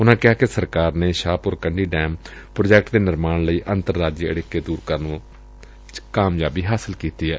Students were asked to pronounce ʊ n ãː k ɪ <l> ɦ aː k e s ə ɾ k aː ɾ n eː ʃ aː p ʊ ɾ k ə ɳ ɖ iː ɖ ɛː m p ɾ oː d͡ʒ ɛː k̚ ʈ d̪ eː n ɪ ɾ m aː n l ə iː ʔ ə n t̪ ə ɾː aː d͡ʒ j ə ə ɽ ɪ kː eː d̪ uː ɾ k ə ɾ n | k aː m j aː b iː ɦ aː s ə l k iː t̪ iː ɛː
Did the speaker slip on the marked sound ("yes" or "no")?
yes